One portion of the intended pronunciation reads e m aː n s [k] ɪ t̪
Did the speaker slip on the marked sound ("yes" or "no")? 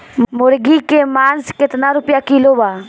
no